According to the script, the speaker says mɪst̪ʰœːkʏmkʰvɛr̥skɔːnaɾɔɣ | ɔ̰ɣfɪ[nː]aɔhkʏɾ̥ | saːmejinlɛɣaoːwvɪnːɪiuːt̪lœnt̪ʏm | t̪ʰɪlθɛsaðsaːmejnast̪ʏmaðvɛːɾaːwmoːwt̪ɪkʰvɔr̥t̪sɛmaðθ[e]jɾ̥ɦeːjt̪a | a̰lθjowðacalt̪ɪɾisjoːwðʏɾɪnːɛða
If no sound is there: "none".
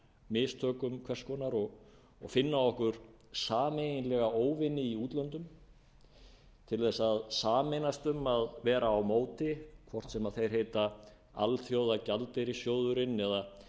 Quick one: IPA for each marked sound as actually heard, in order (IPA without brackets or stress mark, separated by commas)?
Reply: nː, e